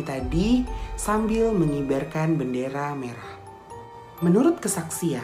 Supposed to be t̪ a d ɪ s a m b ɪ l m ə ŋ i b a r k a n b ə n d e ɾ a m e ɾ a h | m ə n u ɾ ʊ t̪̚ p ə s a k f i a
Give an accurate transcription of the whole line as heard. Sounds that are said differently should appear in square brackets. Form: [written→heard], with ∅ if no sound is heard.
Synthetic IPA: t̪ a d [ɪ→i] s a m b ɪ l m ə ŋ i b a r k a n b ə n d e ɾ a m e ɾ a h | m ə n u ɾ ʊ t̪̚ [p→k] ə s a k [f→s] i a